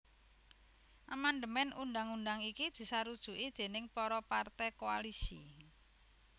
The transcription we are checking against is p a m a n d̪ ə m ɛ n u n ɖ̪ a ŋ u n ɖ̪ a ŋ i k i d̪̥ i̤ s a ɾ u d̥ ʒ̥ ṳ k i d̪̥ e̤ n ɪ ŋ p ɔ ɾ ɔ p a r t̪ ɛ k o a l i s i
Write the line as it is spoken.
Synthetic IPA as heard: ʔ a m a n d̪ ə m ɛ n u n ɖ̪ a ŋ u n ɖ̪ a ŋ i k i d̪̥ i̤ s a ɾ u d̥ ʒ̥ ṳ ʔ i d̪̥ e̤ n ɪ ŋ p ɔ ɾ ɔ p a r t̪ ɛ k o a l i s i